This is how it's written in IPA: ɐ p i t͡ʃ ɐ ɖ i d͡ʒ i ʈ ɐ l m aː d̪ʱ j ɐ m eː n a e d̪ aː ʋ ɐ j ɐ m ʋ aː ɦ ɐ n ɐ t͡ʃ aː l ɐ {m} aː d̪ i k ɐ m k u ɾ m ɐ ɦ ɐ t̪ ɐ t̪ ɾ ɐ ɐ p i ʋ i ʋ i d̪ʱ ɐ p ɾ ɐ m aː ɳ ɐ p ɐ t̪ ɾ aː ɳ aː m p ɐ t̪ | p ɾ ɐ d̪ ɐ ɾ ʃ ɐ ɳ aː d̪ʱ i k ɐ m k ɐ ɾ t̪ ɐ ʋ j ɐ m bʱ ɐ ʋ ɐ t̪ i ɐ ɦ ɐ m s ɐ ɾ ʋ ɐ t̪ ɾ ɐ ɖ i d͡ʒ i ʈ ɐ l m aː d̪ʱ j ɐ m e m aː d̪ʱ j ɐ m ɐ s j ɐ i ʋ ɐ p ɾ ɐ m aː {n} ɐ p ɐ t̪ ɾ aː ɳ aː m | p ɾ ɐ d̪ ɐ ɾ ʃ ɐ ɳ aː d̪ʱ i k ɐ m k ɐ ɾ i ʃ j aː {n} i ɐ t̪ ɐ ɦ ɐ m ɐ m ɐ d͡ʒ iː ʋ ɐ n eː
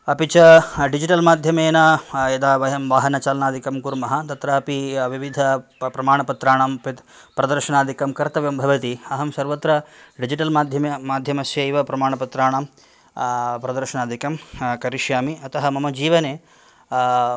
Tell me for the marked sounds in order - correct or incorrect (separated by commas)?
incorrect, incorrect, incorrect